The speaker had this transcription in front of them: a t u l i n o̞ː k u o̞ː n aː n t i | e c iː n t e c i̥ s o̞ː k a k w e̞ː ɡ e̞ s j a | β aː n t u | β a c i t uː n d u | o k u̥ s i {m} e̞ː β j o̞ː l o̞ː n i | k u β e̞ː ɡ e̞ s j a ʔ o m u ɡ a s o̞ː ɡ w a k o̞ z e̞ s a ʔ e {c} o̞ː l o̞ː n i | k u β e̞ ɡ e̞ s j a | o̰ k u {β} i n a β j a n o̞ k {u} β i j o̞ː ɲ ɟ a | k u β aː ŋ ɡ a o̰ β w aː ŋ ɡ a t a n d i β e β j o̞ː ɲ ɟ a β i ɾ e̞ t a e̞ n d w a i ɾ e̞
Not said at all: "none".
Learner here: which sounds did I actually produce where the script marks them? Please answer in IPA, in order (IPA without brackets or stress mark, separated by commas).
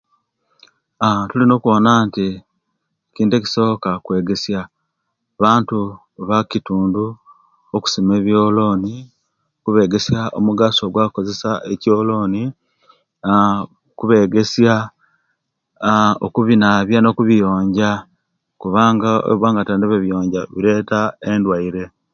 m, c, β, u